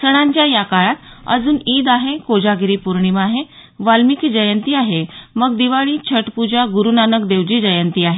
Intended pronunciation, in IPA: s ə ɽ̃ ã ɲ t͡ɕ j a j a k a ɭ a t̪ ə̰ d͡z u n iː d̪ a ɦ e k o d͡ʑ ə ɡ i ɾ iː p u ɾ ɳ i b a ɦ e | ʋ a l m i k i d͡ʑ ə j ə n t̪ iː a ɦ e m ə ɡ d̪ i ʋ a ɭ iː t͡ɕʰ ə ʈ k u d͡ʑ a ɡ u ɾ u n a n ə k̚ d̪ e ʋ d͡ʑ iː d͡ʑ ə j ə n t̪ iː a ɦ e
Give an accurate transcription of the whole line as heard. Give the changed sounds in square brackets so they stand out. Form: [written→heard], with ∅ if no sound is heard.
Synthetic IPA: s ə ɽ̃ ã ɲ t͡ɕ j a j a k a ɭ a t̪ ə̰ d͡z [u→uː] n iː d̪ a ɦ e k o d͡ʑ [ə→a] ɡ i ɾ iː p u ɾ ɳ i [b→m] a ɦ e | ʋ a l m i k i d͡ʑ ə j ə n t̪ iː a ɦ e m ə ɡ d̪ i ʋ a ɭ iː t͡ɕʰ ə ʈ [k→p] u d͡ʑ a ɡ u ɾ u n a n ə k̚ d̪ e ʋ d͡ʑ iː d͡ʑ ə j ə n t̪ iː a ɦ e